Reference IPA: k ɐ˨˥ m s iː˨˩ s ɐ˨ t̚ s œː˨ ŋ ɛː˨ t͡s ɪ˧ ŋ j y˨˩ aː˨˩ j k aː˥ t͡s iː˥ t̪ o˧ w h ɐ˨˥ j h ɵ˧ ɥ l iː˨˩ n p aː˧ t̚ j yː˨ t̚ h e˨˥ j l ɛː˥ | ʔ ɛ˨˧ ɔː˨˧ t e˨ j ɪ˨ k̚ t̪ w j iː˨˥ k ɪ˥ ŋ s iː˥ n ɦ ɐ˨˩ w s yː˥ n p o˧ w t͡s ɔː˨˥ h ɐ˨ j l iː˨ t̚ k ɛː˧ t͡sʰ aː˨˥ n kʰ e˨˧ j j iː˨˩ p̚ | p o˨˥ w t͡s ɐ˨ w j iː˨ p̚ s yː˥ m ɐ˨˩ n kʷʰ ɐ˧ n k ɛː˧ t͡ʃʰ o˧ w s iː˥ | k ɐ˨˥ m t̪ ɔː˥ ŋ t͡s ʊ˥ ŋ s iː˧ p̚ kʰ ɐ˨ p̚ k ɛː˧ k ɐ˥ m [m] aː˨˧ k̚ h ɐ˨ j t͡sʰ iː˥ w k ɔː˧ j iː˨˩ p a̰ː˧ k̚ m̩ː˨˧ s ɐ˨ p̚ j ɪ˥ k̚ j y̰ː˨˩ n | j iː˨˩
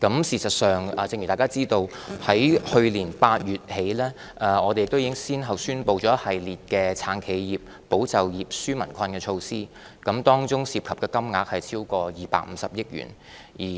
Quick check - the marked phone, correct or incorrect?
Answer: incorrect